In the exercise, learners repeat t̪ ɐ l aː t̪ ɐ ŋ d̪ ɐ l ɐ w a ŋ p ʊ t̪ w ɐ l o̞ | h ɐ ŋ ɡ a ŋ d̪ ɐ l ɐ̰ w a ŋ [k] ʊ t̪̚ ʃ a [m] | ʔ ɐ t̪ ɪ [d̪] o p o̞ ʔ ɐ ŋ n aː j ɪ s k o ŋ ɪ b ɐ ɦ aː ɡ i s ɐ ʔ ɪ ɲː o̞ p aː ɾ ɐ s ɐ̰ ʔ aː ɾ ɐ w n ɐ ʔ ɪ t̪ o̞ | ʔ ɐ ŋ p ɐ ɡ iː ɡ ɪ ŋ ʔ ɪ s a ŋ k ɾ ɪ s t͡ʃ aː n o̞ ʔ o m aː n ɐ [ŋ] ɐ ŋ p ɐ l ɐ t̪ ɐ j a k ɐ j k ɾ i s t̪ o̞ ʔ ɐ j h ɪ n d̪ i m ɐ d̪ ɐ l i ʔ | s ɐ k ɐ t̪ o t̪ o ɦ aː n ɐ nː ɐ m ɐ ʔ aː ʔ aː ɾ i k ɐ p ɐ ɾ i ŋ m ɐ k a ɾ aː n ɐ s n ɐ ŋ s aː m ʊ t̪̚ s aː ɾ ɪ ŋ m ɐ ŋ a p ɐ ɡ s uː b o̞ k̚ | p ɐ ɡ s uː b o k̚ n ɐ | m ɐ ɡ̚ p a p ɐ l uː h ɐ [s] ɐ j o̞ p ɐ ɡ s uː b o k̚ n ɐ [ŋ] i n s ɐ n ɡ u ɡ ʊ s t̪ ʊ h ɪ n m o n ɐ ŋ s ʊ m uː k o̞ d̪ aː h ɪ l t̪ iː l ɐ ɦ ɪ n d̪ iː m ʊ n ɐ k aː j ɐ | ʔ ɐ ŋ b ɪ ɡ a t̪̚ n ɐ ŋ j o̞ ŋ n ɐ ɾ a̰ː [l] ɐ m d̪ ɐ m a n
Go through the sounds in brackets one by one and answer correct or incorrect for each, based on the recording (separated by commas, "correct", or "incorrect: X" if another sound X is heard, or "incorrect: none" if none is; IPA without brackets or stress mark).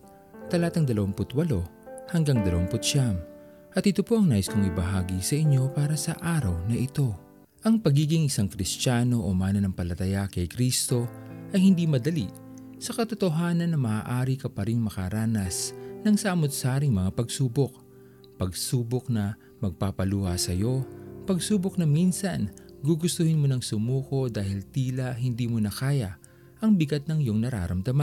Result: incorrect: p, correct, incorrect: t̪, incorrect: n, correct, incorrect: m, incorrect: ɾ